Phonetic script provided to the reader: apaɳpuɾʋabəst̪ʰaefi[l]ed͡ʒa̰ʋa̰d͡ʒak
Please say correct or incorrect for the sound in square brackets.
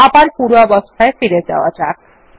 incorrect